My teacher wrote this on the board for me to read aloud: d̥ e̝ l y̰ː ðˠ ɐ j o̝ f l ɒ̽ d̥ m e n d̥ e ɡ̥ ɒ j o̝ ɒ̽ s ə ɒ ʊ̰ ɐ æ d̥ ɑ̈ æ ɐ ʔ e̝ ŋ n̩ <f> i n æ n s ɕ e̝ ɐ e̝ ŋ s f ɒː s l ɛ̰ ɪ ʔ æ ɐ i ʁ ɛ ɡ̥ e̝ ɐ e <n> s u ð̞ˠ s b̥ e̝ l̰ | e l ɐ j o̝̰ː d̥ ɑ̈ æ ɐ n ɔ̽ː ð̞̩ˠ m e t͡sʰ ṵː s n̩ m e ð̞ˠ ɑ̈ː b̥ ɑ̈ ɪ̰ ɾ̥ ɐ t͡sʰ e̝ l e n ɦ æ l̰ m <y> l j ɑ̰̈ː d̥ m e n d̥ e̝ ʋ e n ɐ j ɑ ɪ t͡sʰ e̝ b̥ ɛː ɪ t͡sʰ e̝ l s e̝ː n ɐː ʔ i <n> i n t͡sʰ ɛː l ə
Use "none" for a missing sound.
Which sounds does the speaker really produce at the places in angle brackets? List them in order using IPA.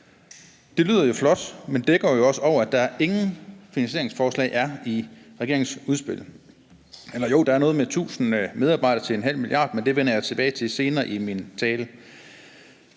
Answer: f, ŋ, i, m

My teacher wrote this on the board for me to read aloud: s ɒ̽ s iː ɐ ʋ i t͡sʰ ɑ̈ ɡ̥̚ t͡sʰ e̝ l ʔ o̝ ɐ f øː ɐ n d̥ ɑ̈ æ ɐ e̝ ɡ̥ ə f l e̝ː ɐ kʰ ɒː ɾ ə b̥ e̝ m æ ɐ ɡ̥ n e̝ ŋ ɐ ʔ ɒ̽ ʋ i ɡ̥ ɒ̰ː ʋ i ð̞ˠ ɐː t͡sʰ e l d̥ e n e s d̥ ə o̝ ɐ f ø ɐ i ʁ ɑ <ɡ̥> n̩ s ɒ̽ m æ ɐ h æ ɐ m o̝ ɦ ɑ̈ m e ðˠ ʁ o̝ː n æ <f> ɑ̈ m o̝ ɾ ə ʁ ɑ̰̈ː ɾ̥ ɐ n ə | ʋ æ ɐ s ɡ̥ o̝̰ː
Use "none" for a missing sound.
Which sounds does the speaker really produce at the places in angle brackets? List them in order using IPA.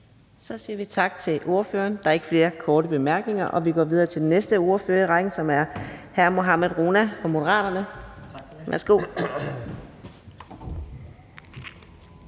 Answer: ɡ̥, f

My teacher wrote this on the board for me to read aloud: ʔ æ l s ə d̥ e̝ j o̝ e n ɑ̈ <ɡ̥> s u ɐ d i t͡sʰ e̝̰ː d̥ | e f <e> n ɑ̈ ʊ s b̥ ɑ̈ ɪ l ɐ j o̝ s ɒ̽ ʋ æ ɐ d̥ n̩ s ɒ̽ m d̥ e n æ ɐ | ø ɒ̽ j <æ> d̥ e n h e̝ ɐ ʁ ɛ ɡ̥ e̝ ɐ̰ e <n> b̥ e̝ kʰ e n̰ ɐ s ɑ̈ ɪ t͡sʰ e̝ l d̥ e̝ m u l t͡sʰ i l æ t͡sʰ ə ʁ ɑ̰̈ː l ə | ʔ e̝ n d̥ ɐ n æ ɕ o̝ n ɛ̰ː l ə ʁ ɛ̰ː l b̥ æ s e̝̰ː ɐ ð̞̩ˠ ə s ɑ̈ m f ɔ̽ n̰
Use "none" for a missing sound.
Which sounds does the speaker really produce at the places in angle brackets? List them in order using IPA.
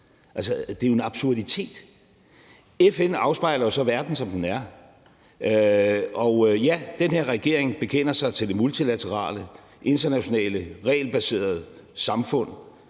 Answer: b̥, e, æ, ŋ

